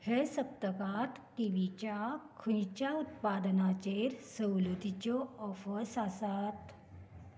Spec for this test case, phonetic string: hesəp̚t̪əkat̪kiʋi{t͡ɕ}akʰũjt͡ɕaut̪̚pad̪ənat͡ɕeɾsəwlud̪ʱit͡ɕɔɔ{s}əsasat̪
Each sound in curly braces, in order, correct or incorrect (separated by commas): correct, incorrect